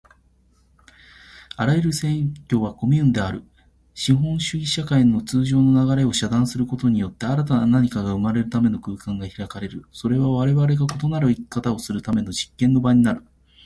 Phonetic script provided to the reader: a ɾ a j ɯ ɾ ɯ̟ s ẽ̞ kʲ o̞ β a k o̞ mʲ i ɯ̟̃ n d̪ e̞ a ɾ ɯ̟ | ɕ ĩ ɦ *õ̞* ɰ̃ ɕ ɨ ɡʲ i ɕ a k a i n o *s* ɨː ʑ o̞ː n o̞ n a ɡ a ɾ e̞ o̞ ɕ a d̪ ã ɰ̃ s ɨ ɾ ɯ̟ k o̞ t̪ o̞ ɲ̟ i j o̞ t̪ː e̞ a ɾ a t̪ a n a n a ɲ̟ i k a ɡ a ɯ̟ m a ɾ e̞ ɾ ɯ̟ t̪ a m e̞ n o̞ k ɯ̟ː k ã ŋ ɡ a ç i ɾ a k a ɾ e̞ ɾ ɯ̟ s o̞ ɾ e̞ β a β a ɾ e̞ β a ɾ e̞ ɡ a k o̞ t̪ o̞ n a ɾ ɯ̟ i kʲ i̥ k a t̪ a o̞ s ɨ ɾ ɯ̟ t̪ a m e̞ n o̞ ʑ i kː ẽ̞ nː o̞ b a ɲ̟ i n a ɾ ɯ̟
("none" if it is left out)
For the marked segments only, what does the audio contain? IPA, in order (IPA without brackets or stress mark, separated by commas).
õ̞, t͡s